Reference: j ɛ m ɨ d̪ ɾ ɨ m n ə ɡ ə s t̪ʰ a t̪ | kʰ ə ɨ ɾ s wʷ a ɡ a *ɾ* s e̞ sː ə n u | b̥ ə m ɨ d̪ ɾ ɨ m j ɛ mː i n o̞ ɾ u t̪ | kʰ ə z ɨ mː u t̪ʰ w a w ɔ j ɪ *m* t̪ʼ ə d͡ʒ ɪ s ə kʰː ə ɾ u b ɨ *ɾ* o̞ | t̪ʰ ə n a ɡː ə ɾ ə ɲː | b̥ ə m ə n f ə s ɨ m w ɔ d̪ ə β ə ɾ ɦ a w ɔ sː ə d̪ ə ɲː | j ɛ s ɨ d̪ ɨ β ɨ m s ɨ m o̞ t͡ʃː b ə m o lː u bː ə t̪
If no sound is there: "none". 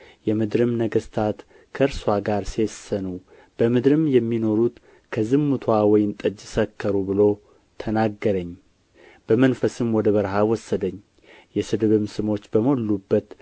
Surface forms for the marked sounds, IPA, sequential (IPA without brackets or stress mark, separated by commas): ɾ, n, l